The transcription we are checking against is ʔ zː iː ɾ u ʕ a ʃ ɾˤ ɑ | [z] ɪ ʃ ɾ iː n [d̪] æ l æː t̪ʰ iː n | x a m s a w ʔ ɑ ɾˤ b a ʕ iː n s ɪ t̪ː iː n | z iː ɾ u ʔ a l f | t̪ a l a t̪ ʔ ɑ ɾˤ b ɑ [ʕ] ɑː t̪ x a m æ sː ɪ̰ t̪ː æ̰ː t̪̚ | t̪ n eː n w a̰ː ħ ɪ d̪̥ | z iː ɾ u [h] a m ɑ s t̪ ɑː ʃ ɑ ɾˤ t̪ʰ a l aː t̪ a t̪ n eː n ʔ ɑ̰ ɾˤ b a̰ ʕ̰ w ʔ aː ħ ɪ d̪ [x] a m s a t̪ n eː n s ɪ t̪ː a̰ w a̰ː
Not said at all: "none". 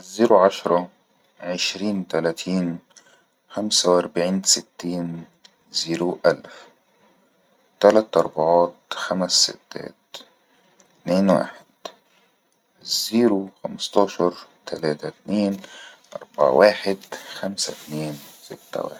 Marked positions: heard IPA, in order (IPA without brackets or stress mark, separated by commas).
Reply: ʕ, t̪, ʕ, x, x